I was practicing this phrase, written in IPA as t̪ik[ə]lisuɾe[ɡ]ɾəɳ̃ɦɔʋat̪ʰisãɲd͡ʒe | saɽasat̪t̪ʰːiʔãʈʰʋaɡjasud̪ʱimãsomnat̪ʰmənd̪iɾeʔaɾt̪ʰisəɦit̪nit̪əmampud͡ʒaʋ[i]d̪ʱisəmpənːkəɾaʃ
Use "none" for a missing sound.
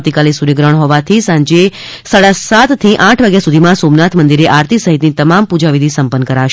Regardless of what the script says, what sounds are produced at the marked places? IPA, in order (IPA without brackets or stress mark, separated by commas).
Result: a, ɡ, i